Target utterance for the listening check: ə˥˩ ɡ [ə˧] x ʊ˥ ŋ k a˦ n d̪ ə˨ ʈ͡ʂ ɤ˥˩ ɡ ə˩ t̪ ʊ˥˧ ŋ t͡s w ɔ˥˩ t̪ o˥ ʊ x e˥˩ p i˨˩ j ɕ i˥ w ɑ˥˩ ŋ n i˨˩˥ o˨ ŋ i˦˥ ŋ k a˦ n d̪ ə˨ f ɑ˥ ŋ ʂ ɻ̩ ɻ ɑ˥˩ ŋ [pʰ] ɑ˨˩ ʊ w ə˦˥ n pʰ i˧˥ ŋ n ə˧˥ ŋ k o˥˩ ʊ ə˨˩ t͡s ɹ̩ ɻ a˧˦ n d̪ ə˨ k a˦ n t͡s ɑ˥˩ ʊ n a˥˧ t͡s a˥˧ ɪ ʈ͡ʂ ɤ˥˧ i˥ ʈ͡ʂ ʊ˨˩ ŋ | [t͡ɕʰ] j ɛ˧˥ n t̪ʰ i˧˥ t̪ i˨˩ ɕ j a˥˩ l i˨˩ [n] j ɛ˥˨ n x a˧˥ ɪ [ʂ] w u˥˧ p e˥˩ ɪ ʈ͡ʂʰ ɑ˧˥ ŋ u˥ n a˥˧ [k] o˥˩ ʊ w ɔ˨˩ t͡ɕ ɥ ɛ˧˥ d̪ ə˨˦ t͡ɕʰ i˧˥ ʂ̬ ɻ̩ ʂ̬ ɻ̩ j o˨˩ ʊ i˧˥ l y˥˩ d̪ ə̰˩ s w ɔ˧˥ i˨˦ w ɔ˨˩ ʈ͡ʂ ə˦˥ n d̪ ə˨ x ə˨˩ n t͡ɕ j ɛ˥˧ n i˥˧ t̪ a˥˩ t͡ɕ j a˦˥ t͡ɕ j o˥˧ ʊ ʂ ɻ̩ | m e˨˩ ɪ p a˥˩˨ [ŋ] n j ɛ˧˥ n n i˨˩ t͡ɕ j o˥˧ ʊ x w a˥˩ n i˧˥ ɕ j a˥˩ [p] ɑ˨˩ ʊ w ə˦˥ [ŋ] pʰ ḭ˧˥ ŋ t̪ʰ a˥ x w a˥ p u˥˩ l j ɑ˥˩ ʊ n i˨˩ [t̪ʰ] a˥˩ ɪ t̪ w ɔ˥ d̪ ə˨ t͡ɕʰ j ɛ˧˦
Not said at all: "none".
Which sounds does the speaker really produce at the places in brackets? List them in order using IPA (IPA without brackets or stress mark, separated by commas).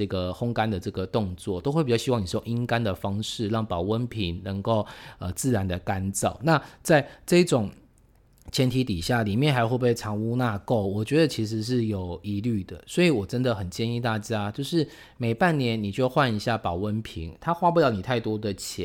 ə˩, p, t͡ɕʰ, m, x, k, n, p, n, t̪ʰ